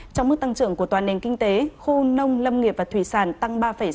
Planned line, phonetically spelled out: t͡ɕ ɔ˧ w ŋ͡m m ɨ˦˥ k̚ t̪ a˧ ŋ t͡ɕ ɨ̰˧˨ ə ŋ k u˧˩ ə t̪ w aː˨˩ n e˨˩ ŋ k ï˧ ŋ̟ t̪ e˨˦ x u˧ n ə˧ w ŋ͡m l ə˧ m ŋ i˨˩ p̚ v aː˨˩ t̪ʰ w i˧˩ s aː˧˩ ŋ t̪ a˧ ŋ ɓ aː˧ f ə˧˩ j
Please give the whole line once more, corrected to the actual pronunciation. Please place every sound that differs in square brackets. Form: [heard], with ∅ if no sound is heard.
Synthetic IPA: t͡ɕ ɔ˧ w ŋ͡m m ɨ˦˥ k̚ t̪ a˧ ŋ t͡ɕ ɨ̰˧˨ ə ŋ k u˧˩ ə t̪ w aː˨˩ n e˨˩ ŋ k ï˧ ŋ̟ t̪ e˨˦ x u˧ n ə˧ w ŋ͡m l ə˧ m ŋ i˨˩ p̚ v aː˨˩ t̪ʰ w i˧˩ s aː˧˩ [n] t̪ a˧ ŋ ɓ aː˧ f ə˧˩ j